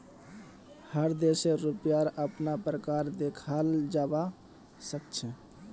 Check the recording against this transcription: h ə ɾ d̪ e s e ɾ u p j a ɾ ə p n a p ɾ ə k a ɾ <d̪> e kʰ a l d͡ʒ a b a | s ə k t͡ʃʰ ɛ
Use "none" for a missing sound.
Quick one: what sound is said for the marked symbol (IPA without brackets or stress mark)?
d̪